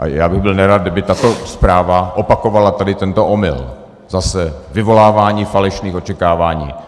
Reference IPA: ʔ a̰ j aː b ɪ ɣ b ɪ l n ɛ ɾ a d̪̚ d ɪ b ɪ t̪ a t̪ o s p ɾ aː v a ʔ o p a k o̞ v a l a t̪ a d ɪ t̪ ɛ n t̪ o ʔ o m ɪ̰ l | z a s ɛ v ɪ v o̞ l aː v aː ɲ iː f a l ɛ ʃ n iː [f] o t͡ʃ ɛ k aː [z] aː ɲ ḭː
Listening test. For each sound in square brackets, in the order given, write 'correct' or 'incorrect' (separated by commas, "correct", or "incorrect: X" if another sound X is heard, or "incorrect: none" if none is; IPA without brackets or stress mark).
incorrect: x, incorrect: v